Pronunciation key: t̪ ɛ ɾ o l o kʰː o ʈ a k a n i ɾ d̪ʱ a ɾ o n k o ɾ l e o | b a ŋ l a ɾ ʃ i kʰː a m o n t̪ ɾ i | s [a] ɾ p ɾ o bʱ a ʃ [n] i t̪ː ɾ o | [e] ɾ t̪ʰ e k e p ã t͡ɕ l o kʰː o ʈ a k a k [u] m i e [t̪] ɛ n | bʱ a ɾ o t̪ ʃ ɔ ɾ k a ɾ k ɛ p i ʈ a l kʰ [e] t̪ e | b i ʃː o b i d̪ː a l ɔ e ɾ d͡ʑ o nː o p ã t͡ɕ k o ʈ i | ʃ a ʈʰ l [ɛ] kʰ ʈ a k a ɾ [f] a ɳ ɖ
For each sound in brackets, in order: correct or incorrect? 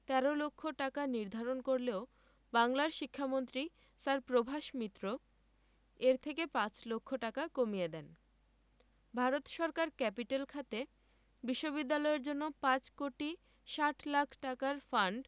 correct, incorrect, correct, incorrect, incorrect, incorrect, incorrect, correct

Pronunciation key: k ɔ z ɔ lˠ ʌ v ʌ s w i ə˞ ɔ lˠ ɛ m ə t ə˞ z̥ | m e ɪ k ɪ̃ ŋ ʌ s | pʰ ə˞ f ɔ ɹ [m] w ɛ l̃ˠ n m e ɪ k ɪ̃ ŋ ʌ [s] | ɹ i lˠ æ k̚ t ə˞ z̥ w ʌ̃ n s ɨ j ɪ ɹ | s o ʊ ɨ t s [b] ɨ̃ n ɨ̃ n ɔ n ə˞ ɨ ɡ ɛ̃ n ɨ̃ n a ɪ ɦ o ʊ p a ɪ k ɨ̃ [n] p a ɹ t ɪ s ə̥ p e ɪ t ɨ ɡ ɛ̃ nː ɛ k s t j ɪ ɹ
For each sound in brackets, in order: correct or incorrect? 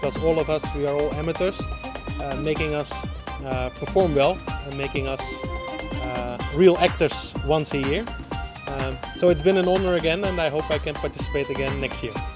correct, correct, correct, correct

